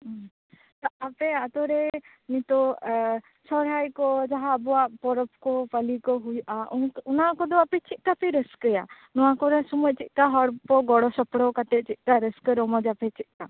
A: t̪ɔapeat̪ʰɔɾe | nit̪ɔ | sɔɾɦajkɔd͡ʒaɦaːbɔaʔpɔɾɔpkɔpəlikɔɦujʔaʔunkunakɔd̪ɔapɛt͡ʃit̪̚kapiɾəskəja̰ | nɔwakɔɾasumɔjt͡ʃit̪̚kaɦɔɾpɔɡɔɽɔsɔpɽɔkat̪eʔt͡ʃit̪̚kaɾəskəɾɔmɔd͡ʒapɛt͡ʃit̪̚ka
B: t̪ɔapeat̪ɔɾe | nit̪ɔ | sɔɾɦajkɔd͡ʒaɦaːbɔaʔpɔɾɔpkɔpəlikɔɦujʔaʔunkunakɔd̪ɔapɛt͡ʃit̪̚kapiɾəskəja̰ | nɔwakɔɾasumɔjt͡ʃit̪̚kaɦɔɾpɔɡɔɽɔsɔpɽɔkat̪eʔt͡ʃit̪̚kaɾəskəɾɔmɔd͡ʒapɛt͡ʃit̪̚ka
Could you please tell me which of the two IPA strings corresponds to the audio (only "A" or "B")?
B